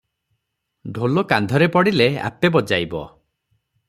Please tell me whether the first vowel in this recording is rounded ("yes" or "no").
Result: yes